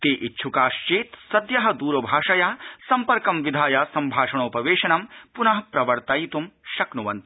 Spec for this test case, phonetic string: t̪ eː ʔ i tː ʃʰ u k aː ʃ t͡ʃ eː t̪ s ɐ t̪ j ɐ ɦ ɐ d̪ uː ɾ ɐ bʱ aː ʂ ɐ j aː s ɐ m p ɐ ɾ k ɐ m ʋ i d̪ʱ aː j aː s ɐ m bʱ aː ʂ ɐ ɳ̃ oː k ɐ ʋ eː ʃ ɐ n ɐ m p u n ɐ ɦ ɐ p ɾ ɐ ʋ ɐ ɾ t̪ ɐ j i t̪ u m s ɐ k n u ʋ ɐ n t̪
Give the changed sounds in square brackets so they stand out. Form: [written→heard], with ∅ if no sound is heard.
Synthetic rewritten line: t̪ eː ʔ i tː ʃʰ u k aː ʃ t͡ʃ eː t̪ s ɐ [t̪→d̪] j ɐ ɦ ɐ d̪ uː ɾ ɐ bʱ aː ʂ ɐ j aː s ɐ m p ɐ ɾ k ɐ m ʋ i d̪ʱ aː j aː s ɐ m bʱ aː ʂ ɐ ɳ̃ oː [k→p] ɐ ʋ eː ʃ ɐ n ɐ m p u n ɐ ɦ ɐ p ɾ ɐ ʋ ɐ ɾ t̪ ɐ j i t̪ u m [s→ʃ] ɐ k n u ʋ ɐ n t̪